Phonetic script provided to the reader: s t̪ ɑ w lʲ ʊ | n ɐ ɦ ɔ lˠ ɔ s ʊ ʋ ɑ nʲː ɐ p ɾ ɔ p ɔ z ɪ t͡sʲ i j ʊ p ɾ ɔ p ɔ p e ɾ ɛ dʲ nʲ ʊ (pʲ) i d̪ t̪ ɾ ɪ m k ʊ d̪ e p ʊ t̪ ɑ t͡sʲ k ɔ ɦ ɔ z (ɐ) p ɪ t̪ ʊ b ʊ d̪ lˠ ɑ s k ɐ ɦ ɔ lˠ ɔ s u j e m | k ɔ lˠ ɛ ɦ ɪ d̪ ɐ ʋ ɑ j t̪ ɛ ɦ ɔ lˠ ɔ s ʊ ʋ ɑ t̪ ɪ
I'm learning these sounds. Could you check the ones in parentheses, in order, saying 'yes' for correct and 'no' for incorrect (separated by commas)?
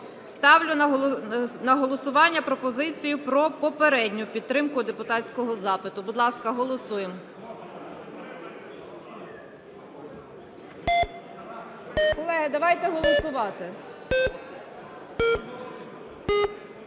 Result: yes, no